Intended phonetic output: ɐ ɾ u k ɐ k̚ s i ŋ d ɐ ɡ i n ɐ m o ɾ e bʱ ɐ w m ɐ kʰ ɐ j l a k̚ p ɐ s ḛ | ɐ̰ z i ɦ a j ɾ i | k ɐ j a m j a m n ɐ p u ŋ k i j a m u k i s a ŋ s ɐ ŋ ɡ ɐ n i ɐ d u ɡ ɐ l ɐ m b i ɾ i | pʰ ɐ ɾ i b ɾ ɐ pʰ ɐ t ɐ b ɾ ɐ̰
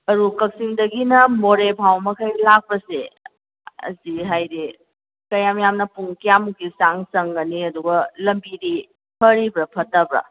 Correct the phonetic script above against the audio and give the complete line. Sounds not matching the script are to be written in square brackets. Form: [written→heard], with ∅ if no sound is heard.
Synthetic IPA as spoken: ɐ ɾ u k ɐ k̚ s i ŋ d ɐ ɡ i n ɐ m o ɾ e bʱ [ɐ→a] w m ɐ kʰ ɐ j l a k̚ p ɐ s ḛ | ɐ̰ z i ɦ a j ɾ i | k ɐ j a m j a m n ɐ p u ŋ k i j a m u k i s a ŋ s ɐ ŋ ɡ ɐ n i ɐ d u ɡ ɐ l ɐ m b i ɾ i | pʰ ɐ ɾ i b ɾ ɐ pʰ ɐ t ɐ b ɾ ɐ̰